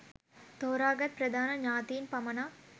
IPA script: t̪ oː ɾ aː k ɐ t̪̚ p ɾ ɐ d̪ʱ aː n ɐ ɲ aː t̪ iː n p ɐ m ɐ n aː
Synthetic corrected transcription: t̪ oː ɾ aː ɡ ɐ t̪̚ p ɾ ɐ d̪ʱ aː n ɐ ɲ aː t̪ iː n p ɐ m ɐ n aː